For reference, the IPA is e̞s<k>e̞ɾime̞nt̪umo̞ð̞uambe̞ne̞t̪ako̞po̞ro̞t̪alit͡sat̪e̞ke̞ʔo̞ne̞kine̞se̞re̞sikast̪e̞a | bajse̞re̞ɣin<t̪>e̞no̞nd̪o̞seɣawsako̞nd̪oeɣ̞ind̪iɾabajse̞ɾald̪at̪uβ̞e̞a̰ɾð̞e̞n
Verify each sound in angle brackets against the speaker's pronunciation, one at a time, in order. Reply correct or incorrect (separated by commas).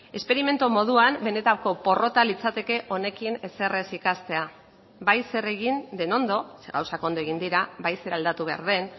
incorrect, incorrect